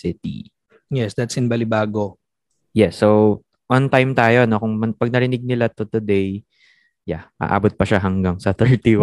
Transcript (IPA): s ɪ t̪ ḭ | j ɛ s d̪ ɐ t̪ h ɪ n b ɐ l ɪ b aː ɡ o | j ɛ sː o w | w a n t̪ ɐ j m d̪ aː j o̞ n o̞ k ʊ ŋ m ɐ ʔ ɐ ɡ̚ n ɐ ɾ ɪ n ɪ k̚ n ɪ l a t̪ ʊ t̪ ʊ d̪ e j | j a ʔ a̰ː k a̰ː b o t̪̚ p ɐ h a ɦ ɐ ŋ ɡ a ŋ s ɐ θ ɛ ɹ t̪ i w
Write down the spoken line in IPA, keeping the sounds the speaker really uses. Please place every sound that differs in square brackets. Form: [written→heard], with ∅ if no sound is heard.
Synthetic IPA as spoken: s ɪ t̪ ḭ | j ɛ s d̪ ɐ t̪ [h→s] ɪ n b ɐ l ɪ b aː ɡ o | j ɛ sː o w | w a n t̪ [ɐ→a] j m [d̪→t̪] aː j o̞ n o̞ k ʊ ŋ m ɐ [ʔ→p] ɐ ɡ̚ n ɐ ɾ ɪ n ɪ [k̚→ɡ̚] n ɪ l a t̪ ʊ t̪ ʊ d̪ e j | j a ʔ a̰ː [k→ʔ] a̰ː b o t̪̚ p ɐ [h→ʃ] a ɦ ɐ ŋ ɡ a ŋ s ɐ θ ɛ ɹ t̪ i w